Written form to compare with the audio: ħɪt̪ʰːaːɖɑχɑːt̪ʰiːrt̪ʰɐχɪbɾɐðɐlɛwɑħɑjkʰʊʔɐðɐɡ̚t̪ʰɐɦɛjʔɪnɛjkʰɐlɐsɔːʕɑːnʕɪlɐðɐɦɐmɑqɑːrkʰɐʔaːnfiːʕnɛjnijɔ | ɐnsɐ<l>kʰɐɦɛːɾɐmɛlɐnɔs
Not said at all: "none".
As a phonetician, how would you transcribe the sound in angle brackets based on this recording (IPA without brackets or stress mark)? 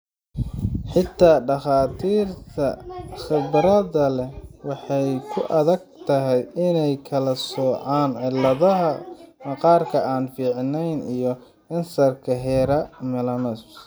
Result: r